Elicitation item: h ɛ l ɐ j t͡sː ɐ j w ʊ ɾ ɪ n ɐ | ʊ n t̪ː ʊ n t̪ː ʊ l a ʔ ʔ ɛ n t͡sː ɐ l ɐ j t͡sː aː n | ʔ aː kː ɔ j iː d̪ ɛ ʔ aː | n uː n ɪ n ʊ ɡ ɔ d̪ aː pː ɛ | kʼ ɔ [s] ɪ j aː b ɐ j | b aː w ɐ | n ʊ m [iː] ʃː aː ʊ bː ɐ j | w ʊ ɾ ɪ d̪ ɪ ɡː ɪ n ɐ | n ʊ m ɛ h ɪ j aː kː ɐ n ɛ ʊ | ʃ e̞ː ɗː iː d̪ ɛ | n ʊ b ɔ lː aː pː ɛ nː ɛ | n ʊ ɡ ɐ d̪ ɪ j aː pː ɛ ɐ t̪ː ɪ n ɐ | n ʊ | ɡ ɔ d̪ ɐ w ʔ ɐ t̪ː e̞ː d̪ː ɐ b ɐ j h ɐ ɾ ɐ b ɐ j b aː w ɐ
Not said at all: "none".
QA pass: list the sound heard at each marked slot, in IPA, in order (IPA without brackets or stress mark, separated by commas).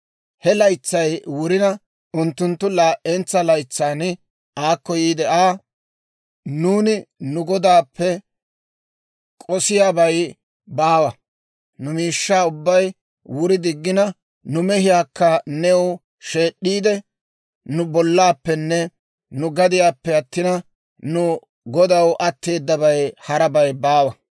s, iː